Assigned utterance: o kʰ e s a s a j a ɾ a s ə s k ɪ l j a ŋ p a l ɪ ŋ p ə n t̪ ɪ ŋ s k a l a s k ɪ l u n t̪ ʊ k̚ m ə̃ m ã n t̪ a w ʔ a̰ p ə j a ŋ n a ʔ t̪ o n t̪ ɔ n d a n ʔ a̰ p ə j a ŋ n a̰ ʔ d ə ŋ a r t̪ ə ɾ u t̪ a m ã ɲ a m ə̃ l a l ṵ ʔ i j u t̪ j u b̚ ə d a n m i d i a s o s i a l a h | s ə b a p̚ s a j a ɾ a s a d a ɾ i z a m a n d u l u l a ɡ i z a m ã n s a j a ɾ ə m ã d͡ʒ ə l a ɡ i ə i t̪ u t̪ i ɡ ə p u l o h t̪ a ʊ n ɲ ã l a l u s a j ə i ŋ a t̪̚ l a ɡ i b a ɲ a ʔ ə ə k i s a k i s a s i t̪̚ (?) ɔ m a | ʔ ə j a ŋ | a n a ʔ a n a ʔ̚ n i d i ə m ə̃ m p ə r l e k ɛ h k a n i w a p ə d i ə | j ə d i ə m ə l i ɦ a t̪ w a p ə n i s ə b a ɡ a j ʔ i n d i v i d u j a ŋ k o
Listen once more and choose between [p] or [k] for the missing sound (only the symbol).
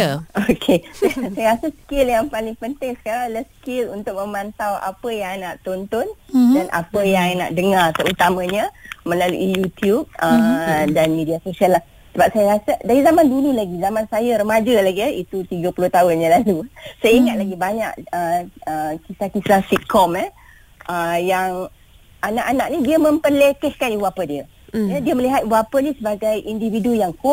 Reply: k